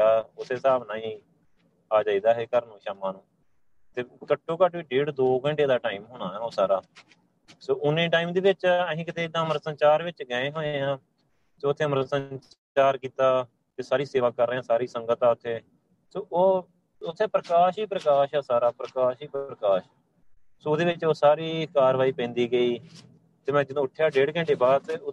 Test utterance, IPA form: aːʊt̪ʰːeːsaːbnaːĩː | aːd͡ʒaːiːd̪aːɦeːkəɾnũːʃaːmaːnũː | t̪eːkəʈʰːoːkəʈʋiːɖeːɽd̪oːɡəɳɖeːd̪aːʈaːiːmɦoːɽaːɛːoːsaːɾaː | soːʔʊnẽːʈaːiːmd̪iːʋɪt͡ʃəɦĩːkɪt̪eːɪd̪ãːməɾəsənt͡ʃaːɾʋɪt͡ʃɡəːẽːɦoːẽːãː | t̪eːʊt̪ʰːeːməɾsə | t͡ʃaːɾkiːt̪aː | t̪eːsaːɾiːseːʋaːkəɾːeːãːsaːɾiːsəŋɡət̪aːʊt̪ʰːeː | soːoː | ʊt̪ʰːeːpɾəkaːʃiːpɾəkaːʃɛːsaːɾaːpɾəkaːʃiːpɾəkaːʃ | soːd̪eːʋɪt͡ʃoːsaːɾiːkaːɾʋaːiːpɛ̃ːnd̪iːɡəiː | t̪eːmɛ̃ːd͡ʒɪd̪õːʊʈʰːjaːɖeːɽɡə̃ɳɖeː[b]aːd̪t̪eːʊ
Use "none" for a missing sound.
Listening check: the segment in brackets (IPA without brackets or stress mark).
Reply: b